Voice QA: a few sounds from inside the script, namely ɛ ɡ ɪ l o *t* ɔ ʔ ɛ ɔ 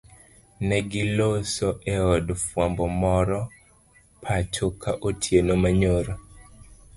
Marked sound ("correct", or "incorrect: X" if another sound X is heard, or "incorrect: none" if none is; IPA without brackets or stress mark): incorrect: s